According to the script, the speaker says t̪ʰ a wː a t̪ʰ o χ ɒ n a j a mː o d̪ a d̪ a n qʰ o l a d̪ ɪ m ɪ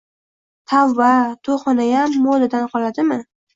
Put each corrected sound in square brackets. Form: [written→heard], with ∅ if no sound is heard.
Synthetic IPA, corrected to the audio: t̪ʰ a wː a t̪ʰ o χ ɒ n a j a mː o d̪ a d̪ a n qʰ [o→ɒ] l a d̪ ɪ m ɪ